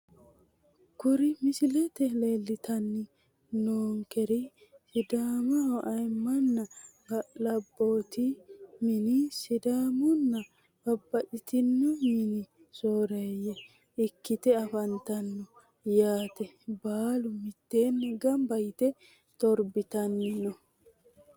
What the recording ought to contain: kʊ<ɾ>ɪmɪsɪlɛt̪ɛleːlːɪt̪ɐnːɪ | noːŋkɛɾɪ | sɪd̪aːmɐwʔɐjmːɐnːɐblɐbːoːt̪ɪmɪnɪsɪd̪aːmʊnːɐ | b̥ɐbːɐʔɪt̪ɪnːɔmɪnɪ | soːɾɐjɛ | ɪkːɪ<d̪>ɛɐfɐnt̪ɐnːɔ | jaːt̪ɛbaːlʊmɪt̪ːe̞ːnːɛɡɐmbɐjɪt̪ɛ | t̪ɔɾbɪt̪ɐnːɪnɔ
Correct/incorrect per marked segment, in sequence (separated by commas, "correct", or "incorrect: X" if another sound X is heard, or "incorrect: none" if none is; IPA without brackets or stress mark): correct, incorrect: t̪